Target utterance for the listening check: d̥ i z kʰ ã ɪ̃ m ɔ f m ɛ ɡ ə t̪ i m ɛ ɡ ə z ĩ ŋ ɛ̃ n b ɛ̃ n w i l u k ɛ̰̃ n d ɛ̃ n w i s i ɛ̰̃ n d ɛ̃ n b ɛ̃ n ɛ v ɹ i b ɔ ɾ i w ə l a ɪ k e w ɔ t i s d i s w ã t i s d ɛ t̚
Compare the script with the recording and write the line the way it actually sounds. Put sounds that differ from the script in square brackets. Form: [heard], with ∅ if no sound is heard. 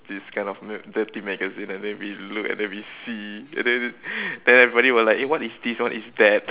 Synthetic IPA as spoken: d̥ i [s] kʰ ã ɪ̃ [n] ɔ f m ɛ [d] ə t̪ i m ɛ ɡ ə z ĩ [n] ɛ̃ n [d] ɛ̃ n w i l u k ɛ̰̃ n d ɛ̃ n w i s i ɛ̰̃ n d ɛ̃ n [d] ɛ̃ n ɛ v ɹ i b ɔ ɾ i w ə l a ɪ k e w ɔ t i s d i s w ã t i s d ɛ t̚

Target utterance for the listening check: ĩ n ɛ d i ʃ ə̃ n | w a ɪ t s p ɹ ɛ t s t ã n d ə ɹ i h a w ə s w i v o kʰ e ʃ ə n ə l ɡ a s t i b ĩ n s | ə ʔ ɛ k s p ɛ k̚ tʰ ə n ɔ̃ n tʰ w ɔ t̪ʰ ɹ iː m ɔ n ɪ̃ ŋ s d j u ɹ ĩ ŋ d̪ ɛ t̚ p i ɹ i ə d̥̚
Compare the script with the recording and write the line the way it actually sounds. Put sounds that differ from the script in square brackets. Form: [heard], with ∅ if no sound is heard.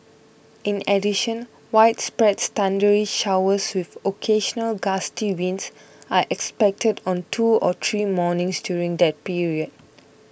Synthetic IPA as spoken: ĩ n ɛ d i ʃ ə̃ n | w a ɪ t s p ɹ ɛ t s t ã n d ə ɹ i [ʃ] a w ə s w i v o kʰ e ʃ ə n ə l ɡ a s t i [w] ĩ n s | [a] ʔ ɛ k s p ɛ k̚ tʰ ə [d] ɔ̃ n tʰ [u] ɔ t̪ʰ ɹ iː m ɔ n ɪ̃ ŋ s d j u ɹ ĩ ŋ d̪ ɛ t̚ p i ɹ i ə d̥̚

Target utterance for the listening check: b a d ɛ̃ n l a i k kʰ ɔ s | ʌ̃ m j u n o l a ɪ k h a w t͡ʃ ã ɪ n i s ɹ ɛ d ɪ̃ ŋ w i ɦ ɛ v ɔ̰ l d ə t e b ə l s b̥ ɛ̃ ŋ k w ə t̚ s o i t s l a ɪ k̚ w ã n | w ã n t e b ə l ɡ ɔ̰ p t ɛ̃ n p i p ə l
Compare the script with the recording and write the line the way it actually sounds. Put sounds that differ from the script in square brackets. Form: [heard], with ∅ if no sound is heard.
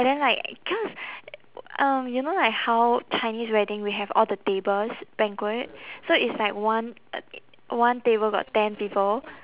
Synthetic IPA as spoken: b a d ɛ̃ n l a [ɪ] k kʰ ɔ s | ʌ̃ m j u n o l a ɪ k h a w t͡ʃ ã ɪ n i s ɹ ɛ d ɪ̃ ŋ w i ɦ ɛ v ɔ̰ l d ə t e b ə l s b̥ ɛ̃ ŋ k w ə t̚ s o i t s l a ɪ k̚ w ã n | w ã n t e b ə l ɡ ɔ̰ [t] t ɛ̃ n p i p ə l

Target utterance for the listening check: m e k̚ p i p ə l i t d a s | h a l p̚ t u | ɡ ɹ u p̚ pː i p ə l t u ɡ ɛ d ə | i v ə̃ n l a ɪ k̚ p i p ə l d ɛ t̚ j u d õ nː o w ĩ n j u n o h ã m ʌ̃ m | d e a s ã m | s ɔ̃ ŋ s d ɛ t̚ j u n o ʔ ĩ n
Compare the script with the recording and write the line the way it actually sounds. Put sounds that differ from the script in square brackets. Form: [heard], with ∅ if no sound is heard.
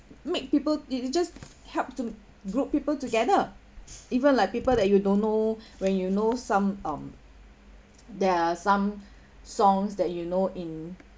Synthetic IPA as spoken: m e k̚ p i p ə l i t [d͡ʒ] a s | h [ɛ] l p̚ t u | ɡ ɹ u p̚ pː i p ə l t u ɡ ɛ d ə | i v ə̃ n l a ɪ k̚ p i p ə l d ɛ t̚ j u d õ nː o w [ɛ̃] n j u n o [s] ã m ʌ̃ m | d [ɛ] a s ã m | s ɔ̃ ŋ s d ɛ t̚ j u n o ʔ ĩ n

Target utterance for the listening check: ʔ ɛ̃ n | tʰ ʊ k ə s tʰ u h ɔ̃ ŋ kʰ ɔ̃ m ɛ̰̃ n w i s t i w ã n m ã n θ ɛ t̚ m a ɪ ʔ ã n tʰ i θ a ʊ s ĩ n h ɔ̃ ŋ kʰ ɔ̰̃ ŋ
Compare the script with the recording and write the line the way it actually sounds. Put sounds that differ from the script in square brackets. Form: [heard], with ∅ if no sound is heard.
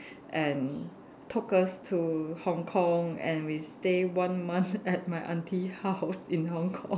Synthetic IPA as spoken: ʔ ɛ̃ n | tʰ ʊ k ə s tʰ u h ɔ̃ ŋ kʰ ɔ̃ [ŋ] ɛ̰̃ n w i s t [e] w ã n m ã n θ ɛ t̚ m a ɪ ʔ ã n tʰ i [h] a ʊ s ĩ n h ɔ̃ ŋ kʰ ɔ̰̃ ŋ

